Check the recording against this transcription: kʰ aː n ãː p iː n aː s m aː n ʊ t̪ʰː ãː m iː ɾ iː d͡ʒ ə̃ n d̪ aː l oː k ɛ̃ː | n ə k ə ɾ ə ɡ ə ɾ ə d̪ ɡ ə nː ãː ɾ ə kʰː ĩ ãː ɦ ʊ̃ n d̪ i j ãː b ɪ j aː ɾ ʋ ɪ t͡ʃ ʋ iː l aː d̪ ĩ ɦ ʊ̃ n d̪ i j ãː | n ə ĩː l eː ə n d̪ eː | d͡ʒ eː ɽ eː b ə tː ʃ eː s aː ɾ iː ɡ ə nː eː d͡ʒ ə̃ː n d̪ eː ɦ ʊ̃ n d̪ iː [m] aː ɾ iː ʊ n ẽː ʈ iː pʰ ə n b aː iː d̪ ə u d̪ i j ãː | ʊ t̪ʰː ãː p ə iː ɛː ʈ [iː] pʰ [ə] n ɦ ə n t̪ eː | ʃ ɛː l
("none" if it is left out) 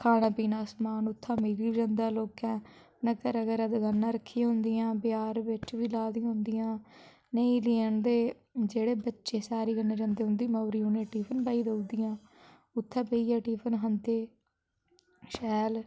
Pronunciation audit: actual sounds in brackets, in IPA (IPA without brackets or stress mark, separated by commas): m, iː, ə